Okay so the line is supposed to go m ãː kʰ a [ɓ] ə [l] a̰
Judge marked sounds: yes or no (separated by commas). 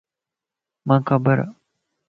no, no